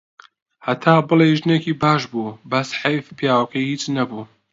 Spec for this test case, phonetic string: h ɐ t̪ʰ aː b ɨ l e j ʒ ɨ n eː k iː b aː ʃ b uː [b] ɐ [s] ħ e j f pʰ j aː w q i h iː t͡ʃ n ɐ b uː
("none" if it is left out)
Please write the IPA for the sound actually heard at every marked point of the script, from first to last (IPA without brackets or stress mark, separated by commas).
b, s